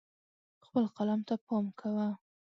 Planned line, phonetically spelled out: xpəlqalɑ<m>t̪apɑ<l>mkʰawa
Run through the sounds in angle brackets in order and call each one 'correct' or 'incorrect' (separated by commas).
correct, incorrect